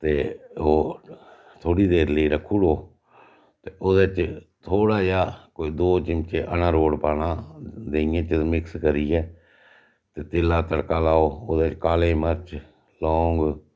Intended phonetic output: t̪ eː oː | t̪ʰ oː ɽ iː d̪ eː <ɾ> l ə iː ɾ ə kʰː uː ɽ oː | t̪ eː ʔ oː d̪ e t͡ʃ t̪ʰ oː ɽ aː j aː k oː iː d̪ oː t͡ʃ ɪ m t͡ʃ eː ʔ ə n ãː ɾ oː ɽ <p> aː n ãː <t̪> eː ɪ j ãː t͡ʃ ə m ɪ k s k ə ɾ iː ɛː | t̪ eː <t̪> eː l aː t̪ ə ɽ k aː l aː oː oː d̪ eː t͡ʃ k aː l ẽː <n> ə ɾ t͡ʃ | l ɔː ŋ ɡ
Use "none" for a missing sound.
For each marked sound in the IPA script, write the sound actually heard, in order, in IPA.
ɾ, p, d̪, t̪, m

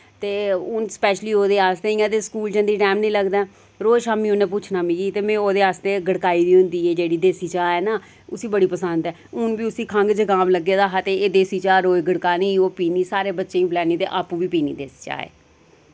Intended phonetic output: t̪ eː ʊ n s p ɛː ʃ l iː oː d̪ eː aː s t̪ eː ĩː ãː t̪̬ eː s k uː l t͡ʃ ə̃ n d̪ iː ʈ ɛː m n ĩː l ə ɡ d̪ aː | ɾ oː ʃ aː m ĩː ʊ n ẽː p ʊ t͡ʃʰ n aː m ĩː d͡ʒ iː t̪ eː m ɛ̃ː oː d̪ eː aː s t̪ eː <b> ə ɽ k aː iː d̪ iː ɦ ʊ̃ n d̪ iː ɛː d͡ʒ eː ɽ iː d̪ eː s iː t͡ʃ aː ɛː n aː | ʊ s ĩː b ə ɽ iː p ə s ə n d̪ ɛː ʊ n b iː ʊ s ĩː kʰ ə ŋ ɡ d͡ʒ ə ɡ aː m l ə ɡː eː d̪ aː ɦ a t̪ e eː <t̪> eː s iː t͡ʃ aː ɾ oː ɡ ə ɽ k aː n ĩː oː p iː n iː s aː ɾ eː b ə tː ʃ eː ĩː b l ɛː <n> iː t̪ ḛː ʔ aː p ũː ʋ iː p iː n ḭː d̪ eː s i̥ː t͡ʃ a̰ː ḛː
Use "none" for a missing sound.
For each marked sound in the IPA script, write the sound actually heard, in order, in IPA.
ɡ, d̪, n

